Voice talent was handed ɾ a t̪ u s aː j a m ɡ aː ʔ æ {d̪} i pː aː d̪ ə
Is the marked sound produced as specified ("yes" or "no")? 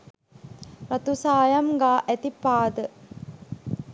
no